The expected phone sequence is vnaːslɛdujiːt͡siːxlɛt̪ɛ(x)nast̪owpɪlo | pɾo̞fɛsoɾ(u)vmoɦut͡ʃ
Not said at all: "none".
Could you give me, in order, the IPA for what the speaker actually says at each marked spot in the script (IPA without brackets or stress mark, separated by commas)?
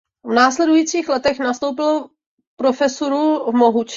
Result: x, u